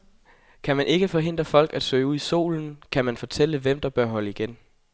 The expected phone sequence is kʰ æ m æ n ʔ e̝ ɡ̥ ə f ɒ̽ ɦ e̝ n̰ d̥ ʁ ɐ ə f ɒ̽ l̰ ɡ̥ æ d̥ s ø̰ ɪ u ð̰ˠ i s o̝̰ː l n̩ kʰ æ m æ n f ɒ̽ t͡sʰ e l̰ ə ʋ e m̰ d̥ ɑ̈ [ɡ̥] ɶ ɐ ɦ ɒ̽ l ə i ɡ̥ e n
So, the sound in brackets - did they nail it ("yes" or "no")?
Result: no